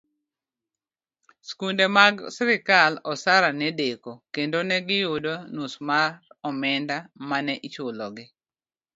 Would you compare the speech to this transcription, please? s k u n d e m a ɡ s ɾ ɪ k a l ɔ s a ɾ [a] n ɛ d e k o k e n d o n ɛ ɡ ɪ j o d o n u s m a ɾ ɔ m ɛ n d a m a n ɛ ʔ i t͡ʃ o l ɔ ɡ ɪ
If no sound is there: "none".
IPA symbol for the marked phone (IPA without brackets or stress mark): a